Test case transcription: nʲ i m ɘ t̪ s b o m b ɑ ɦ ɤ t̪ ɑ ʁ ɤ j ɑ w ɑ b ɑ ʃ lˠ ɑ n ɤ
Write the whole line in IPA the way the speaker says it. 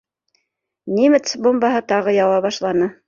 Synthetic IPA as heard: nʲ i m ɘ t̪ s b o m b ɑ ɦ ɤ t̪ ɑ ʁ ɤ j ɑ w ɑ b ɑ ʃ lˠ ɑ n ɤ